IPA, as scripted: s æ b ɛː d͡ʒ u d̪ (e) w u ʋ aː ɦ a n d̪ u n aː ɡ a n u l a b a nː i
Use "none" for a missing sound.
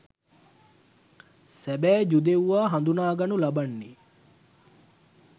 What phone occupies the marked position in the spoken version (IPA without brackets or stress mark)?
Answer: e